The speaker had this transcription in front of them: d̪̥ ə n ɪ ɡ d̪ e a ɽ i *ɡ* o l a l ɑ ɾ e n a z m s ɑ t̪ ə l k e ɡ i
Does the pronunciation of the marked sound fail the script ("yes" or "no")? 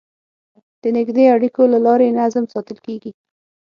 yes